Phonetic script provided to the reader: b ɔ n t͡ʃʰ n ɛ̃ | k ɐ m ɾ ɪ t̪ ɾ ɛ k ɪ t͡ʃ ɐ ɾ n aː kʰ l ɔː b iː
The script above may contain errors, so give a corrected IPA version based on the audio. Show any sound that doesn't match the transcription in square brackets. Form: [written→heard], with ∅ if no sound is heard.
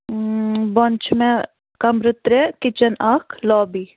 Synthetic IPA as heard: b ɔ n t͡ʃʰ [n→m] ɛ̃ | k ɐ m ɾ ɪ t̪ ɾ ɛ k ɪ t͡ʃ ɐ [ɾ→∅] n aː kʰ l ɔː b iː